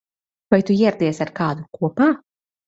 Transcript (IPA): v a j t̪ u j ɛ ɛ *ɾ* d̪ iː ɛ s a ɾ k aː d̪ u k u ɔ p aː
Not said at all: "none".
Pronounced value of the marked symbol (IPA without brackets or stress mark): ɾ